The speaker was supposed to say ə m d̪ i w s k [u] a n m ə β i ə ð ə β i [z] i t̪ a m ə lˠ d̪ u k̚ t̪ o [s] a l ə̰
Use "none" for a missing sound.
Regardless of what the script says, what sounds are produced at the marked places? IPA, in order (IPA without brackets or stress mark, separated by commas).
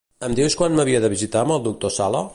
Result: w, z, s